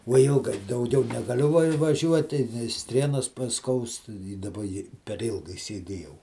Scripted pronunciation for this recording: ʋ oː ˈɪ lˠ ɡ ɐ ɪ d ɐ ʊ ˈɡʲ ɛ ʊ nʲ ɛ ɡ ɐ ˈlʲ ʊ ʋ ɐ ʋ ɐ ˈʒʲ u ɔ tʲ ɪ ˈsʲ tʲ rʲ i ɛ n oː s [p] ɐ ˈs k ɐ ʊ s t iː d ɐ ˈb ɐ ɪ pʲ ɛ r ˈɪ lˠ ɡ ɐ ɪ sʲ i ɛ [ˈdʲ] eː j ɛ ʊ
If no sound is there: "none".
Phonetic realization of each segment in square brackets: p, dʲ

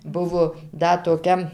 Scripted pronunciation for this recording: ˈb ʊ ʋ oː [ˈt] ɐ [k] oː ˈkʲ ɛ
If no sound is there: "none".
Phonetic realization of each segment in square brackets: d, t

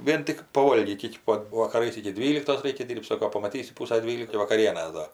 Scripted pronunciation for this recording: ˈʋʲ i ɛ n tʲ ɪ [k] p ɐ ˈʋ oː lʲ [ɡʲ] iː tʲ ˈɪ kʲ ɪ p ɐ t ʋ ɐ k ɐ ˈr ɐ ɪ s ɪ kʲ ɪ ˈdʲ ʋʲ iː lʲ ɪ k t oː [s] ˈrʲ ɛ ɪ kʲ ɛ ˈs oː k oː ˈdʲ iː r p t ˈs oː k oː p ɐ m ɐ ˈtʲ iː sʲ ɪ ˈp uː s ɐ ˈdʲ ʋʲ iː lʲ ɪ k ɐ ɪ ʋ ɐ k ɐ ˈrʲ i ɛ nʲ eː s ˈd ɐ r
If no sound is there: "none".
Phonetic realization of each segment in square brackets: k, ɡʲ, s

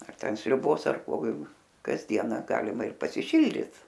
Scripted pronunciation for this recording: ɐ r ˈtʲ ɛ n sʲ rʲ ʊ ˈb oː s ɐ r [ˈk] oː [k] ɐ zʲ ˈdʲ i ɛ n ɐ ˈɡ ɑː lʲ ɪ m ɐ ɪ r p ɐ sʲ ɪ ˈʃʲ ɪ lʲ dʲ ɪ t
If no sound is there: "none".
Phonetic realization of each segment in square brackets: k, k

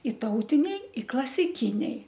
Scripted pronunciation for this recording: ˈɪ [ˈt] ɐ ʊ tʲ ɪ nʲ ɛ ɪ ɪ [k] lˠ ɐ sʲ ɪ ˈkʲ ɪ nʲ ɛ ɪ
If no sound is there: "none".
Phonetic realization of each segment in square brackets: t, k

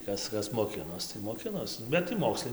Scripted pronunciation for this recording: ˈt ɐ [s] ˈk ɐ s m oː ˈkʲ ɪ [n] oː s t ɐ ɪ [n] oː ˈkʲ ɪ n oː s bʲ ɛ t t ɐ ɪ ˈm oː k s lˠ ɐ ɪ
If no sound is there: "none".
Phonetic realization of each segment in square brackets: s, n, m

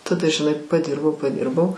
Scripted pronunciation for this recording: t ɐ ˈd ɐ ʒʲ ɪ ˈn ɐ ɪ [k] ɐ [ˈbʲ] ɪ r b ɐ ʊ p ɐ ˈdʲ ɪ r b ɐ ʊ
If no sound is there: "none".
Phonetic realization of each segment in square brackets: p, dʲ

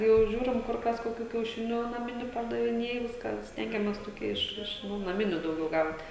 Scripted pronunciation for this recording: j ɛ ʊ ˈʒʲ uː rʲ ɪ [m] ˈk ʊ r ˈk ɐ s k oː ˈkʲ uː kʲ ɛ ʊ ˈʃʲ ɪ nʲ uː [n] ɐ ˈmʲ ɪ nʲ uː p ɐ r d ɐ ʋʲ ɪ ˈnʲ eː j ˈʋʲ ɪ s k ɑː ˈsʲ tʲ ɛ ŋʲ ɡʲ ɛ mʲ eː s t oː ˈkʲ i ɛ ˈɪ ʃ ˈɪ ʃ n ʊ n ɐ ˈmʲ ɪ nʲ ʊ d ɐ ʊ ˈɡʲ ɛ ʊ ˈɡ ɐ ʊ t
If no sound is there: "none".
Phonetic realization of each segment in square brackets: m, n

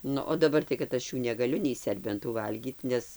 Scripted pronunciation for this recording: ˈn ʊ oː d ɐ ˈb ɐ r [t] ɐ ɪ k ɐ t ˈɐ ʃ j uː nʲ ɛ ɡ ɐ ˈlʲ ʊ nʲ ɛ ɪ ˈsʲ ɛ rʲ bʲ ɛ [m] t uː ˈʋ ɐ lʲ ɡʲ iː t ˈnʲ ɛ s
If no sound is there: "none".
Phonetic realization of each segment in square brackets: t, n

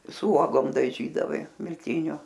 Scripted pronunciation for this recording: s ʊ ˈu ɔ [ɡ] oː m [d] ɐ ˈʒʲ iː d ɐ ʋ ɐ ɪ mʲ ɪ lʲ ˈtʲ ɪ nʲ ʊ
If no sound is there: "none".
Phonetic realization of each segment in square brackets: ɡ, d

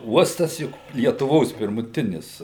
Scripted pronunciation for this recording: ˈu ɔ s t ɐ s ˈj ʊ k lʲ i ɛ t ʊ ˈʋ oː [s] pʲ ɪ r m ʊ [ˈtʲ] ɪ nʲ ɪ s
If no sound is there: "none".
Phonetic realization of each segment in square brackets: s, tʲ

